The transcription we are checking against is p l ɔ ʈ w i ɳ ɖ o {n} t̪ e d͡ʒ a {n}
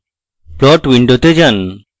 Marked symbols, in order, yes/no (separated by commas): no, yes